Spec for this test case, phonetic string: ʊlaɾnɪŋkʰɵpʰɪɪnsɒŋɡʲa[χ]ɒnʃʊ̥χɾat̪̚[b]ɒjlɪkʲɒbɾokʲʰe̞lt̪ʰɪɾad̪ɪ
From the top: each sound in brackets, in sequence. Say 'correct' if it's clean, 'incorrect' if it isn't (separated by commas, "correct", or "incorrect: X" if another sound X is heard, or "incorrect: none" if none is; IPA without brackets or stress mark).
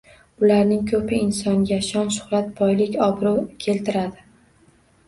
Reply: incorrect: ʃ, correct